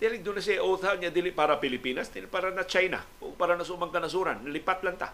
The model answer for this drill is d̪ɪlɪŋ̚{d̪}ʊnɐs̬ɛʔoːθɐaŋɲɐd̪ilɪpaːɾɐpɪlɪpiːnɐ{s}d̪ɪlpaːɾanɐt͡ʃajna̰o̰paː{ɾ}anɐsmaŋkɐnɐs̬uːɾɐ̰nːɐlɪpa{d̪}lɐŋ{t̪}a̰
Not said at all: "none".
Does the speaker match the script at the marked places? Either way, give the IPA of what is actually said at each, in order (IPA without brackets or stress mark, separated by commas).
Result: d̪, s, ɾ, t̪, t̪